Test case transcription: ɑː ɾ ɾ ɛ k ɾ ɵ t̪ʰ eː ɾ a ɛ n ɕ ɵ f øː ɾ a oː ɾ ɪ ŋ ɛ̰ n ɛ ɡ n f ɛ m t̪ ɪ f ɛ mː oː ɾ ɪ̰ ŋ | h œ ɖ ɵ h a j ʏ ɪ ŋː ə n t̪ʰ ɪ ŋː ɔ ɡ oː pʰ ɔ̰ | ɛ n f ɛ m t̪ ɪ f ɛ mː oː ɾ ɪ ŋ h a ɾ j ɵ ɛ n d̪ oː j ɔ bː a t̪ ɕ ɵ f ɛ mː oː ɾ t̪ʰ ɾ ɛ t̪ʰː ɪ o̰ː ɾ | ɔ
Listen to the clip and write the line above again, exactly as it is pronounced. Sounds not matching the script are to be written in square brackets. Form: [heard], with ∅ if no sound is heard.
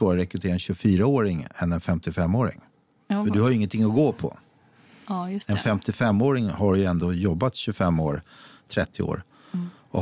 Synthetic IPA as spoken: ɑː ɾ ɾ ɛ k ɾ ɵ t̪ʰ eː ɾ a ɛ n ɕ ɵ f [yː] ɾ a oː ɾ ɪ ŋ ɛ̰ n ɛ [∅] n f ɛ m t̪ ɪ f ɛ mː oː ɾ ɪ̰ ŋ | [f] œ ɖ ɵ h a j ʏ ɪ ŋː ə n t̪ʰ ɪ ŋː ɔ ɡ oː pʰ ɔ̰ | ɛ n f ɛ m t̪ ɪ f ɛ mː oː ɾ ɪ ŋ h a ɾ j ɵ ɛ n d̪ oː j ɔ bː a t̪ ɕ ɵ f ɛ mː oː ɾ t̪ʰ ɾ ɛ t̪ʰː ɪ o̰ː ɾ | ɔ